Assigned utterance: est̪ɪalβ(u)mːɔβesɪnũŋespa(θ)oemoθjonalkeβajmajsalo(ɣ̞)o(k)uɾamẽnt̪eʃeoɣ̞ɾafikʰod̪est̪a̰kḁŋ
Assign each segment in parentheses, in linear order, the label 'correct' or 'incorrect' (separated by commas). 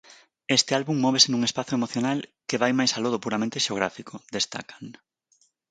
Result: correct, correct, incorrect, incorrect